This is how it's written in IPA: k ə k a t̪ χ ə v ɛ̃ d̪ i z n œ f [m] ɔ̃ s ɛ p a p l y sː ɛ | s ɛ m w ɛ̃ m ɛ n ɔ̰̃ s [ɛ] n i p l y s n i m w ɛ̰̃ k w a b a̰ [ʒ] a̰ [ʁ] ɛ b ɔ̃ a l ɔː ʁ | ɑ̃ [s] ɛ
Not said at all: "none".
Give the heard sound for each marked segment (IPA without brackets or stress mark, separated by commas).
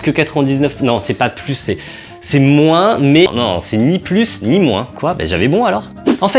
n, ɛ, ʒ, v, f